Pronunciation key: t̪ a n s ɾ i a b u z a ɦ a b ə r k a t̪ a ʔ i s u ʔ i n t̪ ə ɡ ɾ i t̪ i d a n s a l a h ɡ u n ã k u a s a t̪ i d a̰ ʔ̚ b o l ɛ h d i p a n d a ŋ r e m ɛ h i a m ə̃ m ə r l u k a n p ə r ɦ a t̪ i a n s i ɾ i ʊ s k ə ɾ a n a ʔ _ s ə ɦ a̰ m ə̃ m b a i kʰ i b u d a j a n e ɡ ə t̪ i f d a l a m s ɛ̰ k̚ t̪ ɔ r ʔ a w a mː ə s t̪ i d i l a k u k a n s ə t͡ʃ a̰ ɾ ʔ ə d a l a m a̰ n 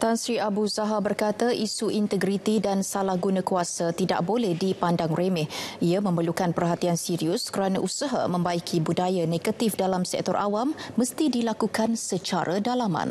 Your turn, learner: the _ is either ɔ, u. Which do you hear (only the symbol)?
u